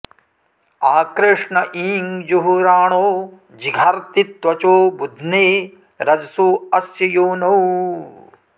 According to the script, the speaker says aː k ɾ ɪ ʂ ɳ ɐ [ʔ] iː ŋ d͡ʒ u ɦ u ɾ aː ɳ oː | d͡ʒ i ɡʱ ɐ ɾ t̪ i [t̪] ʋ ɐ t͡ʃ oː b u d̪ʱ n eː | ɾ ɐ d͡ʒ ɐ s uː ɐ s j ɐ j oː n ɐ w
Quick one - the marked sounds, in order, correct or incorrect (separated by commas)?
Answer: correct, correct